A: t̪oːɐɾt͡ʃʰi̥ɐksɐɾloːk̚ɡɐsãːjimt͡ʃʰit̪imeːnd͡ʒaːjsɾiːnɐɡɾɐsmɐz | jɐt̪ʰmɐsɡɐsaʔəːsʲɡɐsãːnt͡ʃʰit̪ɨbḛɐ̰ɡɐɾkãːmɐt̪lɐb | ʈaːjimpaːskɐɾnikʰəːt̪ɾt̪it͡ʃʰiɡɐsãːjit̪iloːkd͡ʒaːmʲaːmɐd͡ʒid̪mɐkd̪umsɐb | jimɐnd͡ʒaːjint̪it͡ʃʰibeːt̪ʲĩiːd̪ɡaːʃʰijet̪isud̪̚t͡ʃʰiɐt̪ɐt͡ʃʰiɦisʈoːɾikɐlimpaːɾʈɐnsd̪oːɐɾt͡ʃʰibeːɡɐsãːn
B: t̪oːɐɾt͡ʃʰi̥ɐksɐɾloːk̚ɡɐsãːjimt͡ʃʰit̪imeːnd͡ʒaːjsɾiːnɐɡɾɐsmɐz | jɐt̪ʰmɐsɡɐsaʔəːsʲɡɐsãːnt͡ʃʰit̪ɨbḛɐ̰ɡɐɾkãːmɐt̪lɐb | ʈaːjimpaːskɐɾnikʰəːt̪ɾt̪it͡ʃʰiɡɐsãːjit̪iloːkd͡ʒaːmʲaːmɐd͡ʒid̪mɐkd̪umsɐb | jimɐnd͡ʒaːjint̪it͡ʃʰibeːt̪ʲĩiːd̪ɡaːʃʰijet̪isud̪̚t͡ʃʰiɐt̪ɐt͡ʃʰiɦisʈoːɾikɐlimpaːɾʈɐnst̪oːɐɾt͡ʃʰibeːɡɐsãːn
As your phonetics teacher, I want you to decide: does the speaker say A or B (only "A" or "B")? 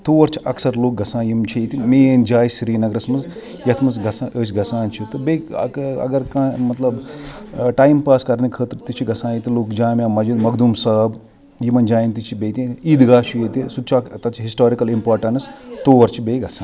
B